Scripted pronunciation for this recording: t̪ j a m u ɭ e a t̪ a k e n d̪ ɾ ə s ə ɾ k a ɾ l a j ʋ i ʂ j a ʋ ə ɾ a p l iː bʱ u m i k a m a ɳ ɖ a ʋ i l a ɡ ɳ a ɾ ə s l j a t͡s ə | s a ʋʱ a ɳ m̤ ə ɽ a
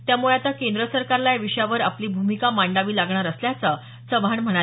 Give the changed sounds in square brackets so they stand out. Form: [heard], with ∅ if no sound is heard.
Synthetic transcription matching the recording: t̪ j a m u ɭ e a t̪ a k e n d̪ ɾ ə s ə ɾ k a ɾ l a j ʋ i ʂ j a ʋ ə ɾ a p l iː bʱ u m i k a m a ɳ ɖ a ʋ [iː] l a ɡ ɳ a ɾ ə s l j a t͡s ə | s [ə] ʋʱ a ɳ m̤ ə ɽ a